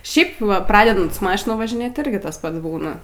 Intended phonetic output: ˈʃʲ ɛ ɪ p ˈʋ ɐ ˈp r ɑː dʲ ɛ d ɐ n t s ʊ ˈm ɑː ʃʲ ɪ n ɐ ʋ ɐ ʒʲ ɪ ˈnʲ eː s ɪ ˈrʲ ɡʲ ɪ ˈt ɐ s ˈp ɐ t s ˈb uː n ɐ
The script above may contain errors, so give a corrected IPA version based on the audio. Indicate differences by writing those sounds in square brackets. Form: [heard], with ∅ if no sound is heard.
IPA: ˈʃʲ ɛ ɪ p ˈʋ ɐ ˈp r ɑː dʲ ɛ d ɐ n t s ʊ ˈm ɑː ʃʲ ɪ n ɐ ʋ ɐ ʒʲ ɪ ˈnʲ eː [t] ɪ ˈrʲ ɡʲ ɪ ˈt ɐ s ˈp ɐ t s ˈb uː n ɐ